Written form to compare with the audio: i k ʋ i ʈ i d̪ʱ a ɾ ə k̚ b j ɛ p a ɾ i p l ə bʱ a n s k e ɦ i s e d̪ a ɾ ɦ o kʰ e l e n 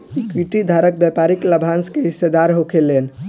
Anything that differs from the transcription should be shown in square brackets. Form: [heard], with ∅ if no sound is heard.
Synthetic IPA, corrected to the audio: i k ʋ i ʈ i d̪ʱ a ɾ ə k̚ b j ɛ p a ɾ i [k] l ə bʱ a n s k e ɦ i s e d̪ a ɾ ɦ o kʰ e l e n